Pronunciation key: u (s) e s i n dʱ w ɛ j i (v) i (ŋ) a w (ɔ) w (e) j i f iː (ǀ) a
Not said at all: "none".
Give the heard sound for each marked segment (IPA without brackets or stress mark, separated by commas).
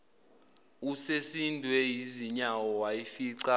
s, z, ɲ, ɔ, a, ǀ